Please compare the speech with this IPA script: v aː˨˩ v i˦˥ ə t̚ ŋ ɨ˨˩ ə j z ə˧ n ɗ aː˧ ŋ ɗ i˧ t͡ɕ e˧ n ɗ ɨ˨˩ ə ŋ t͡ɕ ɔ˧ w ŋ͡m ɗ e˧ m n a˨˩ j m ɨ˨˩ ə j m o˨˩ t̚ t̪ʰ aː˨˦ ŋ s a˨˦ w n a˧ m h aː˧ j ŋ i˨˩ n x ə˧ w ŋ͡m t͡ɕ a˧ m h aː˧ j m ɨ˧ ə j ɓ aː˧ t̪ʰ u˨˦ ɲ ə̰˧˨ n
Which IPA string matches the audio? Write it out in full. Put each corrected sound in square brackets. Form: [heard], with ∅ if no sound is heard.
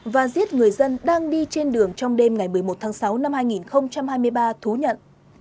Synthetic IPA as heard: v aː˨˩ [z] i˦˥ ə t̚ ŋ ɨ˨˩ ə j z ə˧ n ɗ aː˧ ŋ ɗ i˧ t͡ɕ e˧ n ɗ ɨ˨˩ ə ŋ t͡ɕ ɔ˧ w ŋ͡m ɗ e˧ m [ŋ] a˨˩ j m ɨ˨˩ ə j m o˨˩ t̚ t̪ʰ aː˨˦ ŋ s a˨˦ w n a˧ m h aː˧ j ŋ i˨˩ n x ə˧ w ŋ͡m t͡ɕ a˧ m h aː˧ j m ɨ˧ ə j ɓ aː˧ t̪ʰ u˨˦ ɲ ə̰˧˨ n